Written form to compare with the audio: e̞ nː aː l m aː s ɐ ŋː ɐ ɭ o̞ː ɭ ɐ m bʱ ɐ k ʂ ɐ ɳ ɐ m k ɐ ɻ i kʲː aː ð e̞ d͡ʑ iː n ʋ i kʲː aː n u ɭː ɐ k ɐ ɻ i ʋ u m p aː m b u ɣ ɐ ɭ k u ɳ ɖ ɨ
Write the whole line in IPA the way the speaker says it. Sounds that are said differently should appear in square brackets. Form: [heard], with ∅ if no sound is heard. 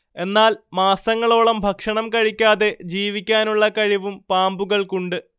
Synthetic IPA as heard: e̞ nː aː l m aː s ɐ ŋː ɐ ɭ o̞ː ɭ ɐ m bʱ ɐ k ʂ ɐ ɳ ɐ m k ɐ ɻ i kʲː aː ð e̞ d͡ʑ iː [∅] ʋ i kʲː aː n u ɭː ɐ k ɐ ɻ i ʋ u m p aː m b u ɣ ɐ ɭ k u ɳ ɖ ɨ